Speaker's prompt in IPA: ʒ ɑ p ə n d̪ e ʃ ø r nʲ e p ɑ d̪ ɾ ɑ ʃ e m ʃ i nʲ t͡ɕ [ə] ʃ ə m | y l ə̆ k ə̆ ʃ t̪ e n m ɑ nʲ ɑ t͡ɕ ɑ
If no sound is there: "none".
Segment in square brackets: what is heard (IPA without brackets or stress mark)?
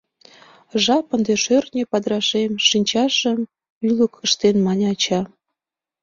ɑ